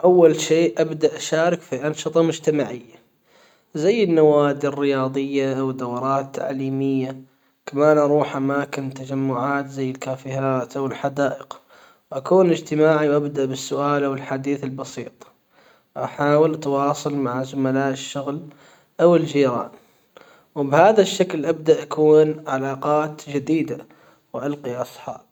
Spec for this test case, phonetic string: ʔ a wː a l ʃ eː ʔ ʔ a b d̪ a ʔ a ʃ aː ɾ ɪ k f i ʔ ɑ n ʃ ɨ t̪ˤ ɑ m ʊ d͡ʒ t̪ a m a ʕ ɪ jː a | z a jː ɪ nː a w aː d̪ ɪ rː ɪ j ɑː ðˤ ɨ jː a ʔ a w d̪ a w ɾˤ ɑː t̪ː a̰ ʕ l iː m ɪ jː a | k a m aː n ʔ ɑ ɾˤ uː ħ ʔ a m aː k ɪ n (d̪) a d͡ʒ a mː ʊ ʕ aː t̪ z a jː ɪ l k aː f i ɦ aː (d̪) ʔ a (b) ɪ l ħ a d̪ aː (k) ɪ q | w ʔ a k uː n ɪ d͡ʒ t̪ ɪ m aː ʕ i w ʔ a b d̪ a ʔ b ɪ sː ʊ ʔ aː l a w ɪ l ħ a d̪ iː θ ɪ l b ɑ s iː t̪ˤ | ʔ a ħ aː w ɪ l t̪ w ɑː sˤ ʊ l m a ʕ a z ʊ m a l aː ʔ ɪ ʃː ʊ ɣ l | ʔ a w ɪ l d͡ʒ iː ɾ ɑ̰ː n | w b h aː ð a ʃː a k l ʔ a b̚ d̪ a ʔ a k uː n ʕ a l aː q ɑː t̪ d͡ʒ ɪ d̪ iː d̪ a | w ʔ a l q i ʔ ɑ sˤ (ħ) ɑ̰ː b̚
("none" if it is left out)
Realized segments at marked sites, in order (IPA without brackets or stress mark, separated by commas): t̪, t̪, w, ʔ, ħ